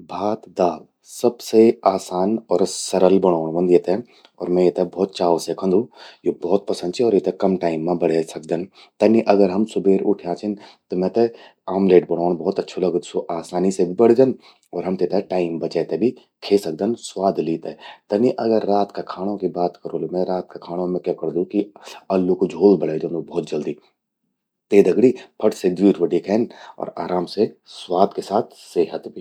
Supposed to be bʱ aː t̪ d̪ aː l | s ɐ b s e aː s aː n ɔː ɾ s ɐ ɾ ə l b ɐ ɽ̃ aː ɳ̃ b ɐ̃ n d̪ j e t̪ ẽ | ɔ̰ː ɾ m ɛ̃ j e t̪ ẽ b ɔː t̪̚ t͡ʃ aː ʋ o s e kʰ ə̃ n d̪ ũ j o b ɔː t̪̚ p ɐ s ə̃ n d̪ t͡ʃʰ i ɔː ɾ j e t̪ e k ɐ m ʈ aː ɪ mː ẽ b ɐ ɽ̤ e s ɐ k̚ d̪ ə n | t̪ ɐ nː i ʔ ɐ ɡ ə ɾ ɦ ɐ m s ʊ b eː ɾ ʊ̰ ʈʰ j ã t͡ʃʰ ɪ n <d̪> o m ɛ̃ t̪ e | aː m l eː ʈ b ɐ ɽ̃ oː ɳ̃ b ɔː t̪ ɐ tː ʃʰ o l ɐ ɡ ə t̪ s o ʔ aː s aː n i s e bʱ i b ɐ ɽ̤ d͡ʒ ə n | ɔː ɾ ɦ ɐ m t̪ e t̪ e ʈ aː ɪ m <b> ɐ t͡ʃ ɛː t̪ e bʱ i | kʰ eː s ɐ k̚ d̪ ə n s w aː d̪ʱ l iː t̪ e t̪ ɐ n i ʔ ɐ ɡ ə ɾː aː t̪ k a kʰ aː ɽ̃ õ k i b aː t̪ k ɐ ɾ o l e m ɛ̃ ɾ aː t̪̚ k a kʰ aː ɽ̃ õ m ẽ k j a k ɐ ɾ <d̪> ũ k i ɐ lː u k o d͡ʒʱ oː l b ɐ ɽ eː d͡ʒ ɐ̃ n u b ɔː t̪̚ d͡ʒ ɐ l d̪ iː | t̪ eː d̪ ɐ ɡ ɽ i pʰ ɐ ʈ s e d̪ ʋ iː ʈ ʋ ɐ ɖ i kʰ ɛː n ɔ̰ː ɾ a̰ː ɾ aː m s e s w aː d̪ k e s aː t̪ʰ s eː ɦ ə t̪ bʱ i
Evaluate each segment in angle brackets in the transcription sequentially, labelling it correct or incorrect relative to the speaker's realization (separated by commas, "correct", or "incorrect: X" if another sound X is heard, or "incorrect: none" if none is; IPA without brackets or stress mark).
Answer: incorrect: t̪, correct, correct